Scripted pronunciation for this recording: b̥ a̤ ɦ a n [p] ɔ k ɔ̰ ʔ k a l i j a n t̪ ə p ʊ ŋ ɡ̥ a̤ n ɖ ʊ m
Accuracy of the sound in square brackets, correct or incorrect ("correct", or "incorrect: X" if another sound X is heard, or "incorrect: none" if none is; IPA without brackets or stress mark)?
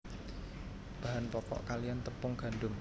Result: correct